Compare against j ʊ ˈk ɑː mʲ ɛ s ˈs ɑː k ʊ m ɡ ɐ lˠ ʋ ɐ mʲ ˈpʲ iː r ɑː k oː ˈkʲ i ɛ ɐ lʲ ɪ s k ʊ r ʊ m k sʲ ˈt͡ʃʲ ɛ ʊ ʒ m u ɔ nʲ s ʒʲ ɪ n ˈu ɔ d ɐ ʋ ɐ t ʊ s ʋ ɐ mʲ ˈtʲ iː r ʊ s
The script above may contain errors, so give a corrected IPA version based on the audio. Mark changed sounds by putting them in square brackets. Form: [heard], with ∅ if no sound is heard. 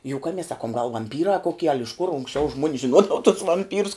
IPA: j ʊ ˈk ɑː mʲ ɛ s ˈs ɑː k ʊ m ɡ ɐ lˠ ʋ ɐ mʲ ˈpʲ iː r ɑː k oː ˈkʲ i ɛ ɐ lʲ ɪ [ʃ] k ʊ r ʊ [ŋ] k sʲ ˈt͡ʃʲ ɛ ʊ ʒ m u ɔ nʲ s ʒʲ ɪ n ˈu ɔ d ɐ ʋ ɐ t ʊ s ʋ ɐ mʲ [ˈpʲ] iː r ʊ s